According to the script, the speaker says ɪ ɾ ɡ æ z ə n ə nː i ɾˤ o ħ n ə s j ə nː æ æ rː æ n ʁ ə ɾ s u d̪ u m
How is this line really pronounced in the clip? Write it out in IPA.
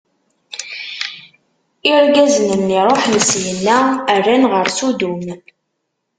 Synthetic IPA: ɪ ɾ ɡ æ z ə n ə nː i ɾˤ o ħ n ə s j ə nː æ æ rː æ n ʁ ə ɾ s u d̪ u m